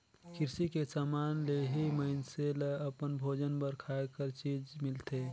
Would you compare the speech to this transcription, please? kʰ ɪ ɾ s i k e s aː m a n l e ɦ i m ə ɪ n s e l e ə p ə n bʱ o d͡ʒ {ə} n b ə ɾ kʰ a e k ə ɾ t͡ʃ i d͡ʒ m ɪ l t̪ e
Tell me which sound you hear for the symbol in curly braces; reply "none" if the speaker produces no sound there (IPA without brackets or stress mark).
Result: ə